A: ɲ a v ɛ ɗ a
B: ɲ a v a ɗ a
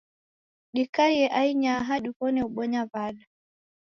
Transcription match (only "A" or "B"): B